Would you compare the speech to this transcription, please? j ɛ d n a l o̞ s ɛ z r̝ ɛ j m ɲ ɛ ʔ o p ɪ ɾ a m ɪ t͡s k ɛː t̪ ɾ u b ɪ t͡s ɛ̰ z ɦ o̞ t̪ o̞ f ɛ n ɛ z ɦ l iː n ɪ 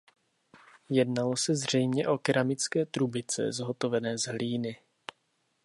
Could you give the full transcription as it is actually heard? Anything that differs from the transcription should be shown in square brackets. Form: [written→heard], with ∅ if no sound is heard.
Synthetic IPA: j ɛ d n a l o̞ s ɛ z r̝ ɛ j m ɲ ɛ ʔ o [p→k] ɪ ɾ a m ɪ t͡s k ɛː t̪ ɾ u b ɪ t͡s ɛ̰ z ɦ o̞ t̪ o̞ [f→v] ɛ n [ɛ→ɛː] z ɦ l iː n ɪ